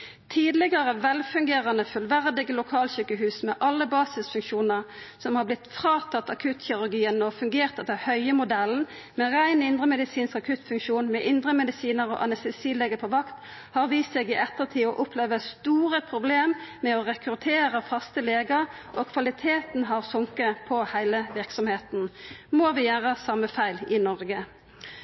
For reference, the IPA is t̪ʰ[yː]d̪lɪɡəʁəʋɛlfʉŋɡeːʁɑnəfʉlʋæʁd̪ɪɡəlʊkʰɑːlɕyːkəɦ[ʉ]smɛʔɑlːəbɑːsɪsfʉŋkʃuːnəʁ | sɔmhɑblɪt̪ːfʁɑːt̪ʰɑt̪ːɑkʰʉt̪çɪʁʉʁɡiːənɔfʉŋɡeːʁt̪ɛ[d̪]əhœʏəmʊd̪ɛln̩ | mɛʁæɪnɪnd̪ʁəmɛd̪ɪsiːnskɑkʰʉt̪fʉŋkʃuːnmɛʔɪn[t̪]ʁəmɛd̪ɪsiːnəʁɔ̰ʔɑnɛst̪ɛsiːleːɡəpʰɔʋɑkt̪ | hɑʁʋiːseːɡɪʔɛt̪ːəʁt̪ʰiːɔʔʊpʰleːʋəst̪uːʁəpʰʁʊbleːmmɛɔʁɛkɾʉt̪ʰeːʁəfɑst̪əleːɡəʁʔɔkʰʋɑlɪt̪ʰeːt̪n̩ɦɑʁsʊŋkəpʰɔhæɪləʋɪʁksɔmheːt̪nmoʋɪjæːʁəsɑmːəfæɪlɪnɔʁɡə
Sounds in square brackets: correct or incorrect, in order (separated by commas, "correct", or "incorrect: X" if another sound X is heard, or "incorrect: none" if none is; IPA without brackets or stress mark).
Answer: incorrect: iː, incorrect: ʉː, incorrect: t̪, incorrect: d̪